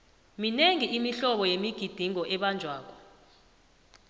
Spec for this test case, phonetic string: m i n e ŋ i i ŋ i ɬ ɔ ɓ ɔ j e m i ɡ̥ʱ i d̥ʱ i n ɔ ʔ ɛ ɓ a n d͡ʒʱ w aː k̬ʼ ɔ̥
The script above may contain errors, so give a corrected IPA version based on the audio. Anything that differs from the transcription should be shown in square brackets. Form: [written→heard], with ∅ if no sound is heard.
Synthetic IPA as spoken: m i n e ŋ i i [ŋ→m] i ɬ ɔ ɓ ɔ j e m i ɡ̥ʱ i d̥ʱ i [n→ŋ] ɔ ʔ ɛ ɓ a n d͡ʒʱ w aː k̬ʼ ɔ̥

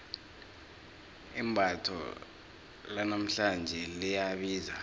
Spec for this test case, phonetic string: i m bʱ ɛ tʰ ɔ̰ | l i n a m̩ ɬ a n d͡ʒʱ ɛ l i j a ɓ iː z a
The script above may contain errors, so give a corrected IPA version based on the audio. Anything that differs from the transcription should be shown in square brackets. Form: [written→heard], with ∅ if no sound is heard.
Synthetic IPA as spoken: i m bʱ [ɛ→a] tʰ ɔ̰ | l [i→a] n a m̩ ɬ a n d͡ʒʱ ɛ l i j a ɓ iː z a

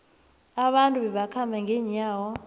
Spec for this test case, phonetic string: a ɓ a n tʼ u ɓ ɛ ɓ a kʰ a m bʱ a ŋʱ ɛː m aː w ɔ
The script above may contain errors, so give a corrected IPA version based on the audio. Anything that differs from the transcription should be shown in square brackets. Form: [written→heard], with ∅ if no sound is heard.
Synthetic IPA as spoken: a ɓ a n tʼ u ɓ ɛ ɓ a kʰ a m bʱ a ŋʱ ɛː [m→ɲ] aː w ɔ

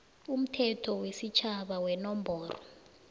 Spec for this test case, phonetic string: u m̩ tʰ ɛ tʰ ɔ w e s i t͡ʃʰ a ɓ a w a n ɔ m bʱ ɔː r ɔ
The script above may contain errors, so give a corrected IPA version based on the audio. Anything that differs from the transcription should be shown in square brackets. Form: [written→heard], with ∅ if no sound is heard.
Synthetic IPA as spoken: u m̩ tʰ ɛ tʰ ɔ w e s i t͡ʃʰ a ɓ a w [a→ɛ] n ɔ m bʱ ɔː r ɔ

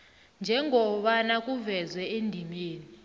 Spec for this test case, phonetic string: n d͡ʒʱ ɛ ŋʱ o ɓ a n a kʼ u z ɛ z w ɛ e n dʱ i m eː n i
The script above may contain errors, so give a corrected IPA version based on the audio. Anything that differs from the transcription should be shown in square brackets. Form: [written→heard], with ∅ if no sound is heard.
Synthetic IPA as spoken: n d͡ʒʱ ɛ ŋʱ [o→ɔ] ɓ a n a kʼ u [z→v] ɛ z w ɛ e n dʱ i m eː n i

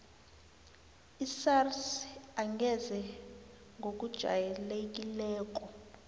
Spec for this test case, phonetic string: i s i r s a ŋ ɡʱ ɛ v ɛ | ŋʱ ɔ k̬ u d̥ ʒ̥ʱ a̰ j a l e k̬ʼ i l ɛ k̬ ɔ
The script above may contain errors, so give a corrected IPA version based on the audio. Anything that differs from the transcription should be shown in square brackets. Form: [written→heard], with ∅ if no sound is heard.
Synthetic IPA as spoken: i s [i→a] r s a ŋ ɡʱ ɛ [v→z] ɛ | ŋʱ [ɔ→o] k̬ u d̥ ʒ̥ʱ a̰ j [a→ɛ] l e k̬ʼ i l [ɛ→ɛː] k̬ ɔ

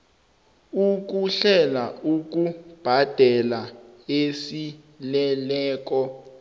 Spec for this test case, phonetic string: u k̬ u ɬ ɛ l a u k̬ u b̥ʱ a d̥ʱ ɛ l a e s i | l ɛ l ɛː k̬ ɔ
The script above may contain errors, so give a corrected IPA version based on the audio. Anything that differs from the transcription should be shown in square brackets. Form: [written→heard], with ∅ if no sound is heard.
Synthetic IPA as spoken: u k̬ u ɬ ɛ l a u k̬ u b̥ʱ a d̥ʱ ɛ l a e s i | l ɛ l ɛː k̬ ɔ

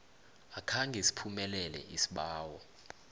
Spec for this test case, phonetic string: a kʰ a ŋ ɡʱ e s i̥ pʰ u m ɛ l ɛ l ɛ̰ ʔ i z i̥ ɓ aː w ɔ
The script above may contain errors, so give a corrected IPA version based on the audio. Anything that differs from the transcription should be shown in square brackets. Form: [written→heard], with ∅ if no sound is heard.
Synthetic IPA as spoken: a kʰ a ŋ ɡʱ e s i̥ pʰ u m ɛ l ɛ l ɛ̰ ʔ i [z→s] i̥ ɓ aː w ɔ

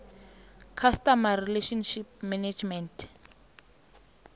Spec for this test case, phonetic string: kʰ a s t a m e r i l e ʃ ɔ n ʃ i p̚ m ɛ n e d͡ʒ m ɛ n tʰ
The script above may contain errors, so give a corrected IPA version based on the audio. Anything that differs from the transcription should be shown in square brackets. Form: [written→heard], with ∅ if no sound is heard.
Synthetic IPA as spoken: kʰ a s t a m [e→a] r i l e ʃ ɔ n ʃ i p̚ m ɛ n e d͡ʒ m ɛ n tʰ

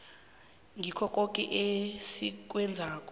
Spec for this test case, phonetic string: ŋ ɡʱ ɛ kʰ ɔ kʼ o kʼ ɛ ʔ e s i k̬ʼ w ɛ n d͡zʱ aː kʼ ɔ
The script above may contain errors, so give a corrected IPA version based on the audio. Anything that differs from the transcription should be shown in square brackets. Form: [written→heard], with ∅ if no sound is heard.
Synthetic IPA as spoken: ŋ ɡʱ [ɛ→i] kʰ ɔ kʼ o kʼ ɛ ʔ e s i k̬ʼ w ɛ n d͡zʱ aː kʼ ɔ

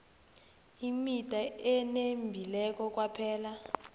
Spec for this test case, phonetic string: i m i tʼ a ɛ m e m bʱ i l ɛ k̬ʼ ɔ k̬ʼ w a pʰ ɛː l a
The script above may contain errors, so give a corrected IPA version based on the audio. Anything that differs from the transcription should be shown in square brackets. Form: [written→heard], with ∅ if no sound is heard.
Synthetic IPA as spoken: i m i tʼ a ɛ [m→n] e m bʱ i l ɛ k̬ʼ ɔ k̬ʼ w a pʰ ɛː l a

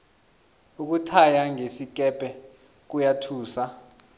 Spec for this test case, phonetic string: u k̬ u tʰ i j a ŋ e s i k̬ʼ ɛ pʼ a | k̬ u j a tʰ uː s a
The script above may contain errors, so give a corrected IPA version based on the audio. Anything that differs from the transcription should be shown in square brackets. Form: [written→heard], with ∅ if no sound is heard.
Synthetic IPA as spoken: u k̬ u tʰ [i→a] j a ŋ e s i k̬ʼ ɛ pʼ [a→ɛ] | k̬ u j a tʰ uː s a

